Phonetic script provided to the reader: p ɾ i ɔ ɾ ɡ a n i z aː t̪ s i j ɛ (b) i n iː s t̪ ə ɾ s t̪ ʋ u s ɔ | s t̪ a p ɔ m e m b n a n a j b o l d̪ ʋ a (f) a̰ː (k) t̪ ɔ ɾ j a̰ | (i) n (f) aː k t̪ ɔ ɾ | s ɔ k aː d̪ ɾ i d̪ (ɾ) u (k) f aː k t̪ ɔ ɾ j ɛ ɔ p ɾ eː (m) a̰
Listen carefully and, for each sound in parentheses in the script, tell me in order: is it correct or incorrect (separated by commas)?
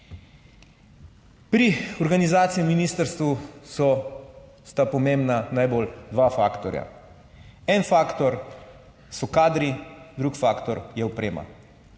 incorrect, correct, correct, incorrect, correct, correct, correct, correct